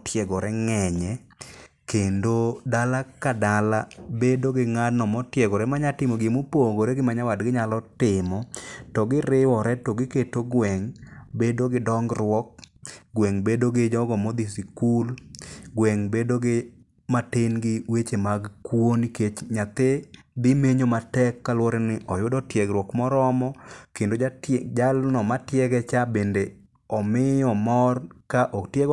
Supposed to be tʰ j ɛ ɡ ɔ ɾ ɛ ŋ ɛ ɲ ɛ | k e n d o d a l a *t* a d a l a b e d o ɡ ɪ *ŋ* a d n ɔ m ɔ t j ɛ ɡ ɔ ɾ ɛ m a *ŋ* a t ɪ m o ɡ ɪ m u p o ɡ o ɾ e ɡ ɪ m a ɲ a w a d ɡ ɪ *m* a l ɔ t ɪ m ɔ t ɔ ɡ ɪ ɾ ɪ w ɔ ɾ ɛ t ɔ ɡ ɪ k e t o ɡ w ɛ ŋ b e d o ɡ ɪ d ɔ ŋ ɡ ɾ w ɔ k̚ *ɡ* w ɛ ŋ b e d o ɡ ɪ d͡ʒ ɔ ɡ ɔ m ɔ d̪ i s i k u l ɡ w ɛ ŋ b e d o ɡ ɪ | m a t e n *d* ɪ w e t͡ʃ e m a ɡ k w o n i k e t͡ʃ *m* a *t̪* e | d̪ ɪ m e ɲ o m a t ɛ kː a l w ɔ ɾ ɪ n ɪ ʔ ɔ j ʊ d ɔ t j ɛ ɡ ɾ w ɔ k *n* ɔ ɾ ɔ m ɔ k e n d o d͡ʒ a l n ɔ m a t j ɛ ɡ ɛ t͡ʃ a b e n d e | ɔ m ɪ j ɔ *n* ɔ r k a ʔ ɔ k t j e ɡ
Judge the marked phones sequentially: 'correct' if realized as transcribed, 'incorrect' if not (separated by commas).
incorrect, correct, incorrect, incorrect, correct, incorrect, incorrect, correct, incorrect, incorrect